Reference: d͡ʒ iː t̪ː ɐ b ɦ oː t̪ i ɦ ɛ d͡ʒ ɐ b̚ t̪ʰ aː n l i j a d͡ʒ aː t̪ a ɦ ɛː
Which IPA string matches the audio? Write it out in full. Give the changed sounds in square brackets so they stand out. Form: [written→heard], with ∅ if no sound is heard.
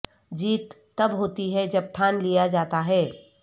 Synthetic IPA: d͡ʒ iː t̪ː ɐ b ɦ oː t̪ i ɦ ɛ d͡ʒ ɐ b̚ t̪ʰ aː n l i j a d͡ʒ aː t̪ a ɦ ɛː